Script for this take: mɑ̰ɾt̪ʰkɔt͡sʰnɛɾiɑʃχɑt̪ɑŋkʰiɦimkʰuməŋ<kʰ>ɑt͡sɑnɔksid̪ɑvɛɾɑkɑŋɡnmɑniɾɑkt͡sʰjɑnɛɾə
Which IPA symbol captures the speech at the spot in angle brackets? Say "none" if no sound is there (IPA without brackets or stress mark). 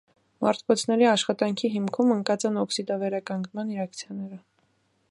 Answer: k